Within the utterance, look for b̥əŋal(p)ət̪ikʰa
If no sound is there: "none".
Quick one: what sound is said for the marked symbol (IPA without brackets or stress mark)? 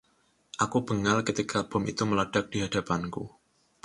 k